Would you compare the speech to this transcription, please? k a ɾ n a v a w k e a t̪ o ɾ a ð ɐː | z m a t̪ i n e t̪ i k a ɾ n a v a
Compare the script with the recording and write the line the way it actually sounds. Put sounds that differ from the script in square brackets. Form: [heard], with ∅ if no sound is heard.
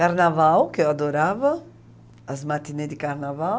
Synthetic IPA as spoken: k a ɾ n a v a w k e a [d̪] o ɾ a [v] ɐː | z m a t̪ i n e [d̪] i k a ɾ n a v a